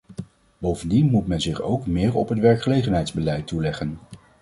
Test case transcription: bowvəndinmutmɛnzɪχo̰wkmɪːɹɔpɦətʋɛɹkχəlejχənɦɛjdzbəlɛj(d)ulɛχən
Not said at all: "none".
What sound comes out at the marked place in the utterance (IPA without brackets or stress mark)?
t